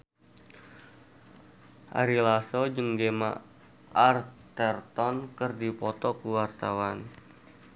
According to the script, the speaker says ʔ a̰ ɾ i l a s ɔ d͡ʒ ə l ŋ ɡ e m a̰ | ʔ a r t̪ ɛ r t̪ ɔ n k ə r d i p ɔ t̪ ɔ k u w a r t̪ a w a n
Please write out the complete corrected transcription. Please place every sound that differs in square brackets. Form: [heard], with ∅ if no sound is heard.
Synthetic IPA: ʔ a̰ ɾ i l a s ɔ d͡ʒ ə [∅] ŋ ɡ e m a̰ | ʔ a r t̪ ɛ r t̪ ɔ n k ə r d i p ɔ t̪ ɔ k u w a r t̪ a w a n